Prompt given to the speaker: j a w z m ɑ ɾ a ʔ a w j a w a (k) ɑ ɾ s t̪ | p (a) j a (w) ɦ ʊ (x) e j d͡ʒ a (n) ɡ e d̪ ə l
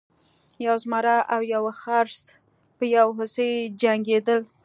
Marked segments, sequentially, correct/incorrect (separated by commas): incorrect, incorrect, correct, incorrect, incorrect